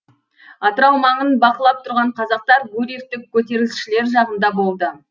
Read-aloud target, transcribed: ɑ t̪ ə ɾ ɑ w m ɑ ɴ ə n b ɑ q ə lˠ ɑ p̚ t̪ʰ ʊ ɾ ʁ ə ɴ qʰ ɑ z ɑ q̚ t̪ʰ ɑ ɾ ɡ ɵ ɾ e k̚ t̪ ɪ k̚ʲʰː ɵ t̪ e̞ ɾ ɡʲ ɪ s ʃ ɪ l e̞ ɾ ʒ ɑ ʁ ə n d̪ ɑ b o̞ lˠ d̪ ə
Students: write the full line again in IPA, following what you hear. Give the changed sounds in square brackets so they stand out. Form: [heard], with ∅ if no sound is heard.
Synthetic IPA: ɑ t̪ ə ɾ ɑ w m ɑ ɴ ə n b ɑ q ə lˠ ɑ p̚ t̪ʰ ʊ ɾ ʁ [ɑ] ɴ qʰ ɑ z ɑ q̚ [t̪] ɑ ɾ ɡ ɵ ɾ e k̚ t̪ ɪ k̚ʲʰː ɵ t̪ e̞ ɾ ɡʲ ɪ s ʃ ɪ l e̞ ɾ ʒ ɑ ʁ ə n d̪ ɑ b o̞ lˠ d̪ ə